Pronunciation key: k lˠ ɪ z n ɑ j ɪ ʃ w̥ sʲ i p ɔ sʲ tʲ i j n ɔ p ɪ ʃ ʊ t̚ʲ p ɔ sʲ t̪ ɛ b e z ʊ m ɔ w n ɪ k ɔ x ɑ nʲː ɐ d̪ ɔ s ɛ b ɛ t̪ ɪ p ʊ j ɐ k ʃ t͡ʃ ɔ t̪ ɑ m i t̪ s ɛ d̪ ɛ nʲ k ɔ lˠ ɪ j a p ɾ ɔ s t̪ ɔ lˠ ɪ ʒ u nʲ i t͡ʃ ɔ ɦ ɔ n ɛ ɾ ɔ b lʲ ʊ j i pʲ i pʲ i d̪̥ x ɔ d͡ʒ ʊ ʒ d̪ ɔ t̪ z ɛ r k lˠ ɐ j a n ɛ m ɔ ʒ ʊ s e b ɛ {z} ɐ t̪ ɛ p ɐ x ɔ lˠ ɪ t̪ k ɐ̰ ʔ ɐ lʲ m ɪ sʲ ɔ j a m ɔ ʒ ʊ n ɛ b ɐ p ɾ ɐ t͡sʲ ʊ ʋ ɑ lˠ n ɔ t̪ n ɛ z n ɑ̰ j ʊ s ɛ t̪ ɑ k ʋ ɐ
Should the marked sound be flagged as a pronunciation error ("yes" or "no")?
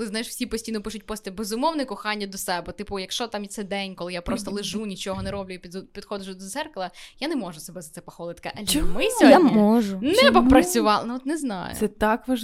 no